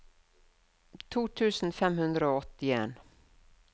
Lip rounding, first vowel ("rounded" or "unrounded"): rounded